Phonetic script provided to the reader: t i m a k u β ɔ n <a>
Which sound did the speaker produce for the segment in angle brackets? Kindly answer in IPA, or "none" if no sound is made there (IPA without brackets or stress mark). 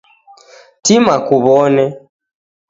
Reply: ɛ